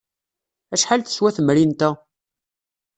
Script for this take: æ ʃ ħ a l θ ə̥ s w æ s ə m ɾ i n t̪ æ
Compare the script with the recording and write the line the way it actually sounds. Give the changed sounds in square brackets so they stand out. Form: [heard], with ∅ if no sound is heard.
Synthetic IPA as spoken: æ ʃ ħ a l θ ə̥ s w æ [θ] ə m ɾ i n t̪ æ